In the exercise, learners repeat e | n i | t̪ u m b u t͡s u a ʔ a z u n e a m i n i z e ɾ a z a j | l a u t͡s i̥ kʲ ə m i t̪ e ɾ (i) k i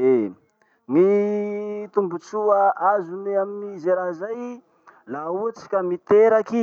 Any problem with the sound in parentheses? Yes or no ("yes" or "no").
yes